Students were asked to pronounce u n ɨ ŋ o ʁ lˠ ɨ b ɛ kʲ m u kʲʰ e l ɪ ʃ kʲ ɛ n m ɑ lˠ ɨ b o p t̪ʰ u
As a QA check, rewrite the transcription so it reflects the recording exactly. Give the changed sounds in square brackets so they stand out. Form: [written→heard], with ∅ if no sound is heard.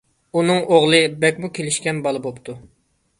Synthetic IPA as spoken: u n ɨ ŋ o ʁ lˠ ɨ b ɛ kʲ m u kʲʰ e l ɪ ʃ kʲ ɛ n [m→b] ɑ lˠ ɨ b o p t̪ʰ u